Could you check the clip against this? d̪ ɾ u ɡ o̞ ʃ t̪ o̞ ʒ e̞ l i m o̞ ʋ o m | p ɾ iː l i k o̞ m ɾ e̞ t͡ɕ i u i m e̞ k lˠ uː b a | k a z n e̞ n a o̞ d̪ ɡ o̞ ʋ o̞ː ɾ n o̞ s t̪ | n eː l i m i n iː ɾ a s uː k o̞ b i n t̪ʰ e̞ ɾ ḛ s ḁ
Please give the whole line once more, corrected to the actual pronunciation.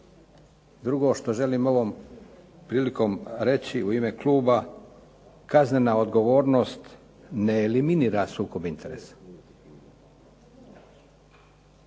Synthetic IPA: d̪ ɾ u ɡ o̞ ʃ t̪ o̞ ʒ e̞ l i m o̞ ʋ o m | p ɾ iː l i k o̞ m ɾ e̞ t͡ɕ i u i m e̞ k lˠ uː b a | k a z n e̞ n a o̞ d̪ ɡ o̞ ʋ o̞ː ɾ n o̞ s t̪ | n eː l i m i n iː ɾ a s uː k o̞ b i n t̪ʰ e̞ ɾ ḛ s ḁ

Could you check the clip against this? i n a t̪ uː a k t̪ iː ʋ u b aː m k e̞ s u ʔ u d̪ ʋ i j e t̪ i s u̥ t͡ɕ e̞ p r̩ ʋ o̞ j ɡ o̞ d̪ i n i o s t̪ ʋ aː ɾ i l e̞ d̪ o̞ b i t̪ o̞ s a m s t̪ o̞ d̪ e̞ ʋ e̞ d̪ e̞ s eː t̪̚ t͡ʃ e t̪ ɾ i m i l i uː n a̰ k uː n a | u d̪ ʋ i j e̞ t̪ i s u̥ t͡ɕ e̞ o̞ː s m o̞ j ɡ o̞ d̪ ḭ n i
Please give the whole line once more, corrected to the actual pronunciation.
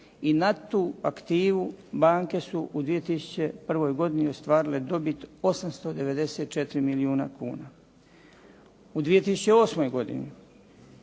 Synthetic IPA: i n a t̪ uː a k t̪ iː ʋ u b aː ŋ k e̞ s u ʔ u d̪ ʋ i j e t̪ i s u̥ t͡ɕ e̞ p r̩ ʋ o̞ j ɡ o̞ d̪ i n i o s t̪ ʋ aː ɾ i l e̞ d̪ o̞ b i t̪ o̞ s a m s t̪ o̞ d̪ e̞ ʋ e̞ d̪ e̞ s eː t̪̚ t͡ʃ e t̪ ɾ i m i l i uː n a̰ k uː n a | u d̪ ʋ i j e̞ t̪ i s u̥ t͡ɕ e̞ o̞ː s m o̞ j ɡ o̞ d̪ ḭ n i

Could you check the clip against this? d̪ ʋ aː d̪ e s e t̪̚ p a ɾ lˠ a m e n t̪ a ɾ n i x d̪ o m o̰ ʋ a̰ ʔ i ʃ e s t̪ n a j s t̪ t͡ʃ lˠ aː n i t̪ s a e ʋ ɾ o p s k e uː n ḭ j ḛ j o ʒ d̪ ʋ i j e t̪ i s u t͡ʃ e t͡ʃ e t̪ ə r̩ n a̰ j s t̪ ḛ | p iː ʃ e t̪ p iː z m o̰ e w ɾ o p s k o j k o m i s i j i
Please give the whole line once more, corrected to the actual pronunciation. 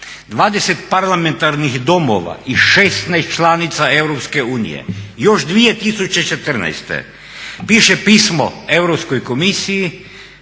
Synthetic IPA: d̪ ʋ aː d̪ e s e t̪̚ p a ɾ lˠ a m e n t̪ a ɾ n i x d̪ o m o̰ ʋ a̰ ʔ i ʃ e s t̪ n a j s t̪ t͡ʃ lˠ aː n i t̪ s a e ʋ ɾ o p s k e uː n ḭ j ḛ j o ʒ d̪ ʋ i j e t̪ i s u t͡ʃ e t͡ʃ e t̪ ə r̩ n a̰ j s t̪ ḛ | p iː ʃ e p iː s m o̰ e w ɾ o p s k o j k o m i s i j i

